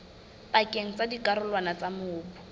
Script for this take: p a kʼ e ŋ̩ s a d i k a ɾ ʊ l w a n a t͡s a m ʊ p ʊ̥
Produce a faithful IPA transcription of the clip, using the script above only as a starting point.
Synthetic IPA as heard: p a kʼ e ŋ̩ t͡s a d i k a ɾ ʊ l w a n a t͡s a m ʊː p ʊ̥